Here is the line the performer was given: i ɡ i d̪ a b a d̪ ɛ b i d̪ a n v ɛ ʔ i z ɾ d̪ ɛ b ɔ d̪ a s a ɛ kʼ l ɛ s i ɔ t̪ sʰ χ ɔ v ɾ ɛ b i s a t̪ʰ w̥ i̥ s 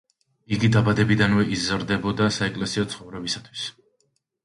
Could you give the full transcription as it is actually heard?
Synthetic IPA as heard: i ɡ i d̪ a b a d̪ ɛ b i d̪ a n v ɛ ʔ i z ɾ d̪ ɛ b ɔ d̪ a s a ɛ kʼ l ɛ s i ɔ t̪ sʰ χ ɔ v ɾ ɛ b i s a t̪ʰ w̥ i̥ s